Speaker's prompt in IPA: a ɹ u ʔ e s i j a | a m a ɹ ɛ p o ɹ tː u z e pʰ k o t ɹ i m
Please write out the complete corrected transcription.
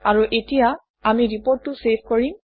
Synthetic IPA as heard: a ɹ u ʔ e t i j a | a m i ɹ i p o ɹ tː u s e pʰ k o ɹ i m